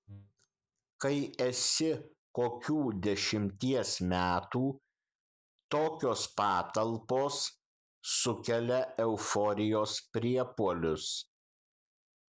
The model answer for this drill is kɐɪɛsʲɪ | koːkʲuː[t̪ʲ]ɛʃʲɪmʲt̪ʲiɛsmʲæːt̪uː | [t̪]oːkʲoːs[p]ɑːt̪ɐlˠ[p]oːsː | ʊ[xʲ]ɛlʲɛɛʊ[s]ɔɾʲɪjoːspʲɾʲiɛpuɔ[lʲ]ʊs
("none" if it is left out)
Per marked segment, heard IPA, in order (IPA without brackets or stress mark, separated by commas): d̪ʲ, t̪, p, p, kʲ, f, lʲ